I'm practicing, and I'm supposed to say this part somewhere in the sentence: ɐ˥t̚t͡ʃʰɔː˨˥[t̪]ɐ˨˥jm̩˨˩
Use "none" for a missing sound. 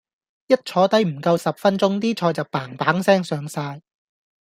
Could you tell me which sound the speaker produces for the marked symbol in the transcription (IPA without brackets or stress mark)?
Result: t̪